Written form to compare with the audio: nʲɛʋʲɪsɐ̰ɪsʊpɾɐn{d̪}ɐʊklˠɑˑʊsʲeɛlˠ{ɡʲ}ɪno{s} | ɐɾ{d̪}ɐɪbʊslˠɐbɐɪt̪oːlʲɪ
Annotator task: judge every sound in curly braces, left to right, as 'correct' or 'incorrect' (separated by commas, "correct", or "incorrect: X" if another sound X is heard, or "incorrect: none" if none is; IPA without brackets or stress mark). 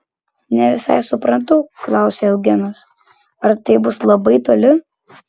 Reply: incorrect: t̪, correct, correct, incorrect: t̪